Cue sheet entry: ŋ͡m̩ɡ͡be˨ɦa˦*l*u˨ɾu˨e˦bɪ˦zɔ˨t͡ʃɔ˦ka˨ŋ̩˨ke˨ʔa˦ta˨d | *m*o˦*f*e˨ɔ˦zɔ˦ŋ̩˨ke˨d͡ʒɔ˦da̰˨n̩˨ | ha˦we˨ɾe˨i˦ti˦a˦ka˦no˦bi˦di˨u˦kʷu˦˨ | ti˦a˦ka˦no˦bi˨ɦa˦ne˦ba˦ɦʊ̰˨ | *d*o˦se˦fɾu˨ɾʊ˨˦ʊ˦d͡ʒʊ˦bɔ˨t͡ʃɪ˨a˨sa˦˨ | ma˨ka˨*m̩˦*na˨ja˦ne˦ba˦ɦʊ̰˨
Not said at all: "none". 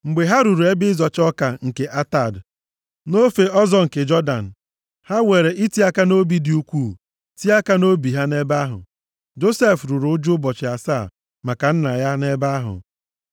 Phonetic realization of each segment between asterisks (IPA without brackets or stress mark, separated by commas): ɾ, n, f, d͡ʒ, n̩˦